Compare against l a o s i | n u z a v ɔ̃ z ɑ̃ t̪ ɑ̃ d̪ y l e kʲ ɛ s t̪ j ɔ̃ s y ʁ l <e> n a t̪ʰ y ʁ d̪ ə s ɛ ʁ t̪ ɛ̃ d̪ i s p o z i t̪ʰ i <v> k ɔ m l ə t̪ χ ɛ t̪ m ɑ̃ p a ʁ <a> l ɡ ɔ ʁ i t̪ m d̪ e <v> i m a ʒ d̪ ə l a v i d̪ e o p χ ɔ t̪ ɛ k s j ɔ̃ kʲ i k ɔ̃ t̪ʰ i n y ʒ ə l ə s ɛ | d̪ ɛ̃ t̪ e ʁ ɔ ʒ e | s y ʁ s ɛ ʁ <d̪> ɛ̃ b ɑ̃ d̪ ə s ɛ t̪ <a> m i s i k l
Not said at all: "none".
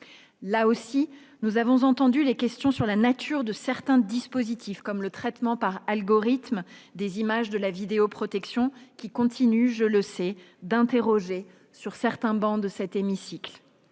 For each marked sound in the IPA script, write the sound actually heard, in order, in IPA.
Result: a, f, a, z, t̪, e

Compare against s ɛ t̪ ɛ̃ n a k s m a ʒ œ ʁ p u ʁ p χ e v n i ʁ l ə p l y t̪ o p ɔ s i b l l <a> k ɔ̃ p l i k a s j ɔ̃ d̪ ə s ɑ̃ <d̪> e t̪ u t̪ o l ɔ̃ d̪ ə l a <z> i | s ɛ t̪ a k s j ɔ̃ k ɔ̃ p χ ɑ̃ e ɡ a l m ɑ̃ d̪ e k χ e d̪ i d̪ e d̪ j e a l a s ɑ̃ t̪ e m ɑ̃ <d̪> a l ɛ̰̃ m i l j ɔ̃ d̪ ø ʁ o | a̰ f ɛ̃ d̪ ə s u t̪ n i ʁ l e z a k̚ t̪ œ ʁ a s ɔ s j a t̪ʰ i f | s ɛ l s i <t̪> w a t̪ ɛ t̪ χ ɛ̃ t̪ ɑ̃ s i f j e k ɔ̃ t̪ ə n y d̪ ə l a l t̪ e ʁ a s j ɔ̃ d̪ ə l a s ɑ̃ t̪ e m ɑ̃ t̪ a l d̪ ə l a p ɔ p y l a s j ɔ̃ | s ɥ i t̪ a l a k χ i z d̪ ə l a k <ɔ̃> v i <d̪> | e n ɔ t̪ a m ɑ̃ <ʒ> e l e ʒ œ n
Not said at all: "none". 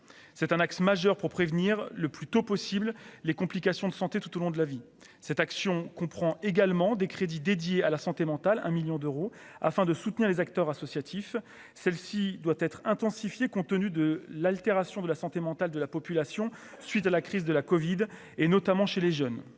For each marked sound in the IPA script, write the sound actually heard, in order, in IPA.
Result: e, t̪, v, t̪, d̪, ɔ, d̪, ʃ

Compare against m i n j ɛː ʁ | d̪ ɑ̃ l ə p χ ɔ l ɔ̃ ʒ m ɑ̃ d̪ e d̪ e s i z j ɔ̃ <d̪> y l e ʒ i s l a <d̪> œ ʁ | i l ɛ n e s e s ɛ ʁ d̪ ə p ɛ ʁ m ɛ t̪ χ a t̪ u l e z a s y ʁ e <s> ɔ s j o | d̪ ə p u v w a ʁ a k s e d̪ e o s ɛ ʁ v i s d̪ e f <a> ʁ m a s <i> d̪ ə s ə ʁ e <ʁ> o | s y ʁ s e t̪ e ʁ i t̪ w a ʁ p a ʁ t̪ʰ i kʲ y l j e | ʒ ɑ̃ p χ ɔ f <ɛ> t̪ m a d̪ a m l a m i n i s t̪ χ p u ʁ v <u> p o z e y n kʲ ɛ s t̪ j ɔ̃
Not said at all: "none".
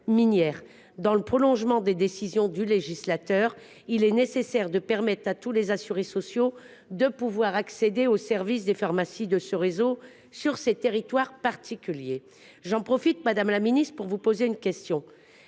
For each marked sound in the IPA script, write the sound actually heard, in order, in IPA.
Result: d̪, t̪, s, a, i, z, i, u

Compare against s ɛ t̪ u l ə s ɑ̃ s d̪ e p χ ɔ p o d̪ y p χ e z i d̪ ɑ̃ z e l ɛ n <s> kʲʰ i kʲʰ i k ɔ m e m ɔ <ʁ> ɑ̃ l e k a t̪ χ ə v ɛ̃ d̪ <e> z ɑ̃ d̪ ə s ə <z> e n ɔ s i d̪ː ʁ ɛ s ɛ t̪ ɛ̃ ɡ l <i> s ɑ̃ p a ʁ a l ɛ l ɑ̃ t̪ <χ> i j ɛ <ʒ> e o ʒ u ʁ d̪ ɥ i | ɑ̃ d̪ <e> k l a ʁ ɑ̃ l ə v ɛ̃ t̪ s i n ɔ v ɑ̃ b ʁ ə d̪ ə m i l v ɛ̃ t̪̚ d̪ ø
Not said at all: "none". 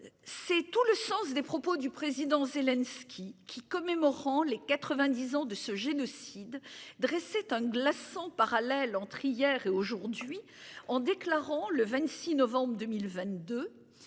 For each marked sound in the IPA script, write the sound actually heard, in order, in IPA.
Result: s, ʁ, i, ʒ, a, χ, ʁ, e

